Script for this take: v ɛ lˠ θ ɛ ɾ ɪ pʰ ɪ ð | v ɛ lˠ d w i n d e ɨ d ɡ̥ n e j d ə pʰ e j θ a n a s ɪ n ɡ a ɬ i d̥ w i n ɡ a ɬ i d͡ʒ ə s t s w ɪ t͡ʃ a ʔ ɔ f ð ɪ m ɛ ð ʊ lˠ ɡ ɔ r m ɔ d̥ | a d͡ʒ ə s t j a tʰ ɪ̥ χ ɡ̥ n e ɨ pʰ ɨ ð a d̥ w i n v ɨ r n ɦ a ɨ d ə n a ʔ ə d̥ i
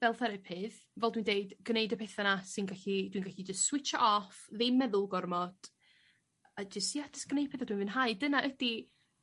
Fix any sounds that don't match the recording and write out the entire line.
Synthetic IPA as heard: v ɛ lˠ θ ɛ ɾ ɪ pʰ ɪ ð | v ɛ lˠ d w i n d e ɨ d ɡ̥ n e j d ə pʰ e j θ a n a s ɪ n ɡ a ɬ i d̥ w i n ɡ a ɬ i d͡ʒ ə s t s w ɪ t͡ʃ a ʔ ɔ f ð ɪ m ɛ ð ʊ lˠ ɡ ɔ r m ɔ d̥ | a d͡ʒ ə s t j a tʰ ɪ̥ s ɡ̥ n e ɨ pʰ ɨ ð a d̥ w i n v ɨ n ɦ a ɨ d ə n a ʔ ə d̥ i